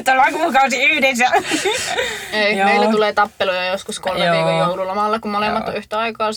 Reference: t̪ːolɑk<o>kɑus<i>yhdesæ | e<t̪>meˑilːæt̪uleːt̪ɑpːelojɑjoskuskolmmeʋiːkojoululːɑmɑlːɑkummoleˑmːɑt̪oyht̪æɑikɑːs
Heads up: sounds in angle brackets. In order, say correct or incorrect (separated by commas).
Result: incorrect, correct, incorrect